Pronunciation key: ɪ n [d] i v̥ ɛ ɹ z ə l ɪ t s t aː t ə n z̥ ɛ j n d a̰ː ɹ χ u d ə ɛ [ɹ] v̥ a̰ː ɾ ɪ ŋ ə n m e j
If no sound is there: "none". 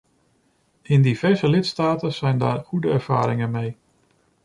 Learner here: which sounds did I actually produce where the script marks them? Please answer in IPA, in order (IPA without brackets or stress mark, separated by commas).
d, ɹ